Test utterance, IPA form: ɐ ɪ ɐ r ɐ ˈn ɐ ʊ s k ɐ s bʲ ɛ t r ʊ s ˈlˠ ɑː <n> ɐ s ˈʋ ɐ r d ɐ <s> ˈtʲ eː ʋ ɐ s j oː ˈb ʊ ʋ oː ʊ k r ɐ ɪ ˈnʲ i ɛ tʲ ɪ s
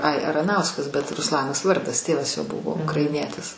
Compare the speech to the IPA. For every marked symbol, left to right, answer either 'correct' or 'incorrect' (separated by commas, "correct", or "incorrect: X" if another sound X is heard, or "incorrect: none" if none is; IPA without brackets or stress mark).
correct, correct